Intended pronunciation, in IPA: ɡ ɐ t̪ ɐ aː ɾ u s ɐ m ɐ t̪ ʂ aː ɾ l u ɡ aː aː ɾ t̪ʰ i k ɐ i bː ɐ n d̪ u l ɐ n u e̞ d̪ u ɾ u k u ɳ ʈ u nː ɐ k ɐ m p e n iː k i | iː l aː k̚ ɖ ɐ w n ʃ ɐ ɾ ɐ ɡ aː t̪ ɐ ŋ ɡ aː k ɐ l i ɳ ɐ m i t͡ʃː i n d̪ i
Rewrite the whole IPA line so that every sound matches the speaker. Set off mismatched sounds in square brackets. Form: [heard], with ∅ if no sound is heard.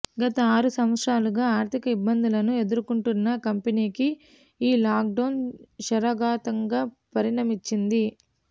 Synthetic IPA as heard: ɡ ɐ t̪ ɐ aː ɾ u s ɐ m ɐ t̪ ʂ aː [∅] l u ɡ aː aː ɾ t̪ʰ i k ɐ i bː ɐ n d̪ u l ɐ n u e̞ d̪ u ɾ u k u ɳ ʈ u nː ɐ k ɐ m p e n iː k i | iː l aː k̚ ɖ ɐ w n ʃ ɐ ɾ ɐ ɡ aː t̪ ɐ ŋ ɡ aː [p] ɐ [ɾ] i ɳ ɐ m i t͡ʃː i n d̪ i